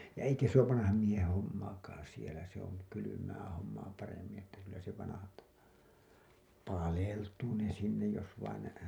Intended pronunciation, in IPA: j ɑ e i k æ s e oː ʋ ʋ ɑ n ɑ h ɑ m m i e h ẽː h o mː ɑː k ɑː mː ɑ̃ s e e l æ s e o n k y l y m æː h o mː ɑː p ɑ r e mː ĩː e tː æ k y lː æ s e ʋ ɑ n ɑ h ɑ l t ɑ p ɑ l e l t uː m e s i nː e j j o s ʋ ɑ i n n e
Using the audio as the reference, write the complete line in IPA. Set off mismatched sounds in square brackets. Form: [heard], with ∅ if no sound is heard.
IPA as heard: j ɑ e i k æ s e oː ʋ ʋ ɑ n ɑ h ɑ m m i e h ẽː h o mː ɑː k ɑː [∅] ɑ̃ s [i] e l æ s e o n k y l y m æː h o mː ɑː p ɑ r e mː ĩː e tː æ k y lː æ s e ʋ ɑ n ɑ h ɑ l t ɑ p ɑ l e l t uː [n] e s i nː e j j o s ʋ ɑ i n n e